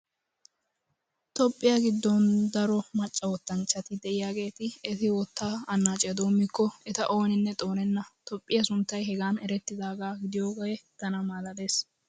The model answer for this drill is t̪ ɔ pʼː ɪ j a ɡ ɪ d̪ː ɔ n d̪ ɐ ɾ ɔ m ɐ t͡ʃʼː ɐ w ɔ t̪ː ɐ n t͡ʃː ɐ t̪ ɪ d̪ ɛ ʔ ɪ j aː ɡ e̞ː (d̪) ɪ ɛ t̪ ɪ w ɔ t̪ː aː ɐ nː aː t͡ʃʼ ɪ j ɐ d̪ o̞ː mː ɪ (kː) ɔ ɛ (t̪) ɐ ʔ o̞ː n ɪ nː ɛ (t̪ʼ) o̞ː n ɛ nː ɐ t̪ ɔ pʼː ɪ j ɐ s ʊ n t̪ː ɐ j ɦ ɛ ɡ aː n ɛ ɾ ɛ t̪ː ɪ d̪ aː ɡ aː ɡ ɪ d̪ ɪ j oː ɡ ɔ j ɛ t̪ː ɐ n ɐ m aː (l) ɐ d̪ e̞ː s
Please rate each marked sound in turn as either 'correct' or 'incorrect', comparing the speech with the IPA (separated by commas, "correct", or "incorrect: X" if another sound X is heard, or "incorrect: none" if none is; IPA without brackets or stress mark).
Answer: incorrect: t̪, correct, correct, correct, correct